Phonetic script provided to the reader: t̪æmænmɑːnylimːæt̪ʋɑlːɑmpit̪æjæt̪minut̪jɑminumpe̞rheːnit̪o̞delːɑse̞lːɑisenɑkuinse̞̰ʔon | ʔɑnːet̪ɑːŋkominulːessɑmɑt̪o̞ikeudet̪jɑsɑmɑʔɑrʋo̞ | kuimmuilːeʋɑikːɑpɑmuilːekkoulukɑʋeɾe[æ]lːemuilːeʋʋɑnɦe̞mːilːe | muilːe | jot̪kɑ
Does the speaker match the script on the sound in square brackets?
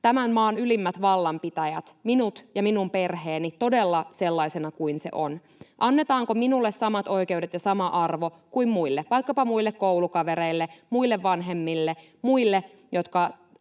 no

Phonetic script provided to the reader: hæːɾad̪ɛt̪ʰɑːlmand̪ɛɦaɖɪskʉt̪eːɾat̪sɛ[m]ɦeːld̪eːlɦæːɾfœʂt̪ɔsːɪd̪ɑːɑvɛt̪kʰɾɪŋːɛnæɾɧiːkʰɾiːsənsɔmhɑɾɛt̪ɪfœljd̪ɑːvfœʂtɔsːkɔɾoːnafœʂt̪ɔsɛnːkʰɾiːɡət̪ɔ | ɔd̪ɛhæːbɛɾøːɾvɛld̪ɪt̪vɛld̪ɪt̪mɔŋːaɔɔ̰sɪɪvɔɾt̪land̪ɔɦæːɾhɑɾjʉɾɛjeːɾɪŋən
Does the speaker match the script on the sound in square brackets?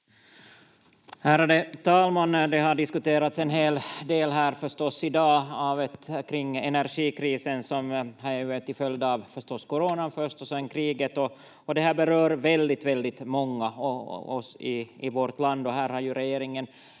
no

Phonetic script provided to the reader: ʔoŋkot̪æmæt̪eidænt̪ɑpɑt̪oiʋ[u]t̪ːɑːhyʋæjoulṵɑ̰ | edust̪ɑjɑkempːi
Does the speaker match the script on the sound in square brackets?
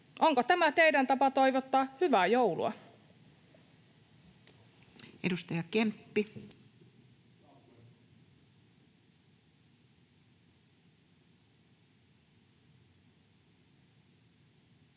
no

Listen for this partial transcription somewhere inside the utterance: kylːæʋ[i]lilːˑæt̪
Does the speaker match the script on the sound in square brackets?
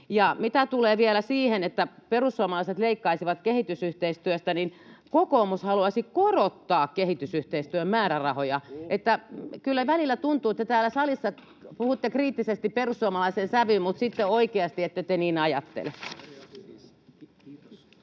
no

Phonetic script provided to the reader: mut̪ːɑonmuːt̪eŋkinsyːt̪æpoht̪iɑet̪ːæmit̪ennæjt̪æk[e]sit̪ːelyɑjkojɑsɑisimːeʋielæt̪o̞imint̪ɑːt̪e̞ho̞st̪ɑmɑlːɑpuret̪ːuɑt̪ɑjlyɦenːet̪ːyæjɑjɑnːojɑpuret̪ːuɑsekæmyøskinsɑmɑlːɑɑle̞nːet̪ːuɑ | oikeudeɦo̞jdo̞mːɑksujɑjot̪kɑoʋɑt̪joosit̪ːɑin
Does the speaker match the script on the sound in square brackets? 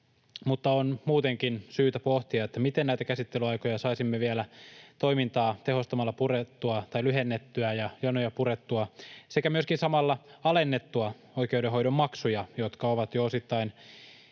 no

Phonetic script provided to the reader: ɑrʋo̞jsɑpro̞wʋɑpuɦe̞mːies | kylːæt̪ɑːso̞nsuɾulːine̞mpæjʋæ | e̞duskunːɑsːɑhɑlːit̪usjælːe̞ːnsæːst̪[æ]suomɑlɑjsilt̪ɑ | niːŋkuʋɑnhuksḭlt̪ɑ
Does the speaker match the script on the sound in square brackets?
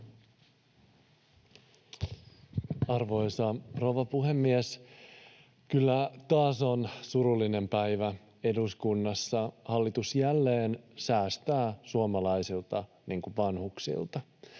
no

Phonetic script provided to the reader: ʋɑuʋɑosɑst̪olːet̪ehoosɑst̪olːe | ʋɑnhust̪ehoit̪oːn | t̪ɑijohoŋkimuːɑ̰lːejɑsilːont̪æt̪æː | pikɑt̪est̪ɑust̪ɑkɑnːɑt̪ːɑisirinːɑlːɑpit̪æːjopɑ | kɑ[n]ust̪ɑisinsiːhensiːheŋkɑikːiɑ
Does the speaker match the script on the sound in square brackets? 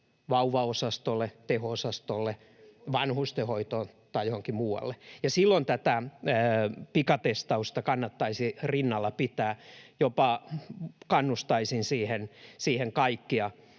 no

